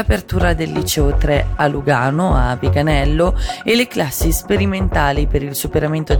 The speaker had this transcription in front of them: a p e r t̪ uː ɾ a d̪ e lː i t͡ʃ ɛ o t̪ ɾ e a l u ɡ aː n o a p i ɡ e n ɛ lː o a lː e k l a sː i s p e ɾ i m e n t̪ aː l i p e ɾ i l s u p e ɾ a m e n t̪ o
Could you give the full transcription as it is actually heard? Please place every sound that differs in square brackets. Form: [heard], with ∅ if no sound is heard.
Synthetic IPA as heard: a p e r t̪ uː ɾ a d̪ e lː i t͡ʃ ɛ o t̪ ɾ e a l u ɡ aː n o a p i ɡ [a] n ɛ lː o [e] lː e k l a sː i s p e ɾ i m e n t̪ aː l i p e ɾ i l s u p e ɾ a m e n t̪ o